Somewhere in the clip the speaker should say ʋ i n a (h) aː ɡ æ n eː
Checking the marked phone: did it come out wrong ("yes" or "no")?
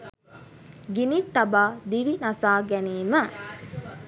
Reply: yes